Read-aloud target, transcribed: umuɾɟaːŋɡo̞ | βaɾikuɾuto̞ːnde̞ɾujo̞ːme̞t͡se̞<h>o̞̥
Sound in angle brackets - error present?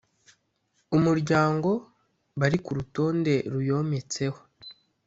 no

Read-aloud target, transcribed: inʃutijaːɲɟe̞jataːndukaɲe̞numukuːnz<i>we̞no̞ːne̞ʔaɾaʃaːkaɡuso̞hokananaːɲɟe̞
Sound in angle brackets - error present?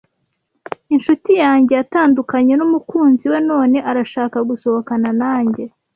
no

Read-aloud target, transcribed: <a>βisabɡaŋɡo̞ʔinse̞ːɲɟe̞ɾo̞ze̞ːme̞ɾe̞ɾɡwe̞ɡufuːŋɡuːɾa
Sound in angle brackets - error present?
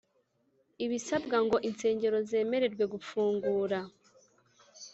yes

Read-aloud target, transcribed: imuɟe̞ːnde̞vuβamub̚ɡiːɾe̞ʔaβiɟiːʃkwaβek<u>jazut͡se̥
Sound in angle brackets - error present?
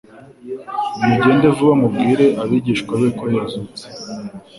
yes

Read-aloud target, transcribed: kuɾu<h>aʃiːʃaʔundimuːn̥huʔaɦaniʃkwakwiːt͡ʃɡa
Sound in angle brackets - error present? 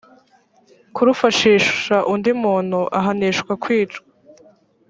yes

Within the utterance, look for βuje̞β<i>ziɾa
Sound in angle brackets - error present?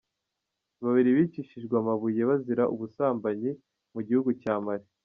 yes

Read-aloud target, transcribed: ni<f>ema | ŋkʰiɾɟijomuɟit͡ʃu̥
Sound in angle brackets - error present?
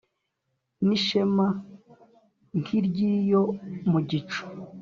yes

